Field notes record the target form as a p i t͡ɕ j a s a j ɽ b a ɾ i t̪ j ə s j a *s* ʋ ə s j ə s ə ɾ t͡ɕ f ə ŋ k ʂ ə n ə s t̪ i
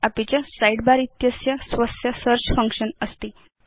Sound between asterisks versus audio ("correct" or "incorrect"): correct